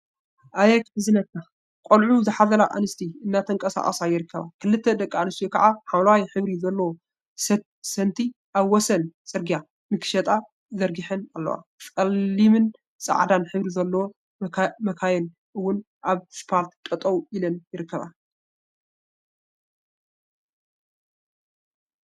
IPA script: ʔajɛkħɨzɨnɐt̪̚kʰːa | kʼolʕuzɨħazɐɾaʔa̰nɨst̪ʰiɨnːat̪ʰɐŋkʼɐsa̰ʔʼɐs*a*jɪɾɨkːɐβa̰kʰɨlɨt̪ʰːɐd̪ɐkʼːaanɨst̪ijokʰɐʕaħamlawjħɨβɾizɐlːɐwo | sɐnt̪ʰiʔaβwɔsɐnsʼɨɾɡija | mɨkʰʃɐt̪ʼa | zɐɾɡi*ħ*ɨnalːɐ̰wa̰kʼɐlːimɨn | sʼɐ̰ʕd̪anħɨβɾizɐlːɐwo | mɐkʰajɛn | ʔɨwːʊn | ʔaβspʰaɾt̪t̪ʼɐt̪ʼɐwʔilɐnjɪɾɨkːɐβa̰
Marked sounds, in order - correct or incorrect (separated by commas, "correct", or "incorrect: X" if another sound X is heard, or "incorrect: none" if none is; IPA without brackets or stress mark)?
correct, correct